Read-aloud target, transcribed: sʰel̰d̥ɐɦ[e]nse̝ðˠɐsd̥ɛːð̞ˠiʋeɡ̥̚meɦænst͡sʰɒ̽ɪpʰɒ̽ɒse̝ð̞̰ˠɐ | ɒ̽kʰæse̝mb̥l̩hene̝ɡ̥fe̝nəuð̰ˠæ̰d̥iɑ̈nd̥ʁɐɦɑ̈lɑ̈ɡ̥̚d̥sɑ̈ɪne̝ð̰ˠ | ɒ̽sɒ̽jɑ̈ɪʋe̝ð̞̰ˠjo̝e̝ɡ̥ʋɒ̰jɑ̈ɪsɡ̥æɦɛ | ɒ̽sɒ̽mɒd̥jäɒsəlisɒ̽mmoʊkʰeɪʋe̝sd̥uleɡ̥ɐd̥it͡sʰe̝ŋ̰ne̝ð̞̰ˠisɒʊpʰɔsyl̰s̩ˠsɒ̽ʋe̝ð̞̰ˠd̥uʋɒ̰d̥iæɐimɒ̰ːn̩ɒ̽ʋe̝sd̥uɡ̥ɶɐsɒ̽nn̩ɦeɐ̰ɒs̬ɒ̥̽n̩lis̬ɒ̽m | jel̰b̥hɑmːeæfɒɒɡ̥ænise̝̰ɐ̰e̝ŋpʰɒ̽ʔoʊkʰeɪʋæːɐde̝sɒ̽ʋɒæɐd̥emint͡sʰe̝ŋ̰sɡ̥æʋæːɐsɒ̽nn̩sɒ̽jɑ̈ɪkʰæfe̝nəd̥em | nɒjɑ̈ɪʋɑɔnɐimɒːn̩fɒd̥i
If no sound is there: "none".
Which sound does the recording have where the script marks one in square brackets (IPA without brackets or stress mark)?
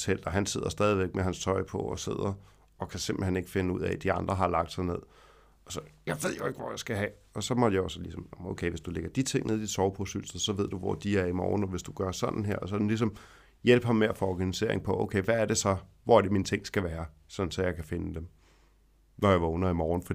æ